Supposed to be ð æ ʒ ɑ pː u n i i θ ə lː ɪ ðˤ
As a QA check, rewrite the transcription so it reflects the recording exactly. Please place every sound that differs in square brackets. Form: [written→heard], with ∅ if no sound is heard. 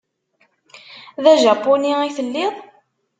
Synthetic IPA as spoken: ð æ ʒ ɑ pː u n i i θ ə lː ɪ ðˤ